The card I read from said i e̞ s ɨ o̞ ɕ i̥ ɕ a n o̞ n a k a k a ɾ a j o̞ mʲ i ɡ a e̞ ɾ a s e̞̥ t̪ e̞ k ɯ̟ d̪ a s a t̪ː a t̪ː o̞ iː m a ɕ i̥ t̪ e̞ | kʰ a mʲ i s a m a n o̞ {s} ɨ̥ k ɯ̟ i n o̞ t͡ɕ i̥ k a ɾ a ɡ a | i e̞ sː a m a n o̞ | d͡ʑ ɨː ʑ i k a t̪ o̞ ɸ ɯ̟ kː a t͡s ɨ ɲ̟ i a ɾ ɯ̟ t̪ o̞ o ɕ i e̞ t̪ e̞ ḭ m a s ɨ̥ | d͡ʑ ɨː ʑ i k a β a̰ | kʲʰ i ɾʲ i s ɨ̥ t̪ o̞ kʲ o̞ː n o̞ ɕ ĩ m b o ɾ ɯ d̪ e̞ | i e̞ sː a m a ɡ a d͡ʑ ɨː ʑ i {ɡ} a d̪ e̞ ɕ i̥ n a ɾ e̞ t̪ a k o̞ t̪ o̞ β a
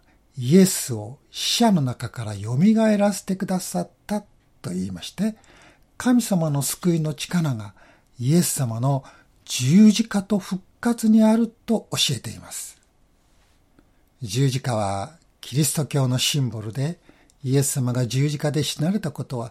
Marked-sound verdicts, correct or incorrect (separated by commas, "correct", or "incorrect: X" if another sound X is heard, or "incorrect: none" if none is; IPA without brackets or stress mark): correct, incorrect: k